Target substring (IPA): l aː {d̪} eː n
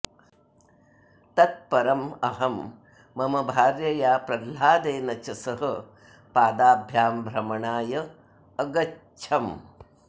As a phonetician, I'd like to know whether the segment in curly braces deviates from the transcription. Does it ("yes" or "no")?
no